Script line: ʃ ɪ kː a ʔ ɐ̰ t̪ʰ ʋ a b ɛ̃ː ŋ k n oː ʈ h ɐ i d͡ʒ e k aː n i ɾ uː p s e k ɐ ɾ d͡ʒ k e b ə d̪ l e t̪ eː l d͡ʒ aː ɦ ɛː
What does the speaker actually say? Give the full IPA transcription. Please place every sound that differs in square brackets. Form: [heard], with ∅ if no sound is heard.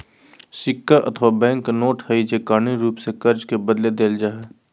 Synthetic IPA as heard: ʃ ɪ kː a ʔ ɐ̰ t̪ʰ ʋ a b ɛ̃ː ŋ k n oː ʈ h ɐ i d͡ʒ e k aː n i ɾ uː p s e k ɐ ɾ d͡ʒ k e b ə d̪ l e [d̪] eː l d͡ʒ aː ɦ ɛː